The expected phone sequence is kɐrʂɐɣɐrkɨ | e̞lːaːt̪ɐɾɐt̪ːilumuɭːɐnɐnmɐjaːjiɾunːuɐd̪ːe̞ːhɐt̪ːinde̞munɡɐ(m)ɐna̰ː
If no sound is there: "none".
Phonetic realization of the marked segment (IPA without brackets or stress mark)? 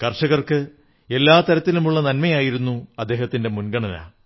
ɳ